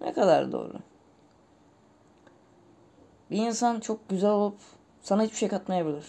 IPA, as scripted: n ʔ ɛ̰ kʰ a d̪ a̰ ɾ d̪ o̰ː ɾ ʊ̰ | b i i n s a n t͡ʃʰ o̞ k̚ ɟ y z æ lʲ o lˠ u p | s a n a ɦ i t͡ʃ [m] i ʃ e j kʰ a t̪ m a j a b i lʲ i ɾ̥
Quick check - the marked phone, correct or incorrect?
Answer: incorrect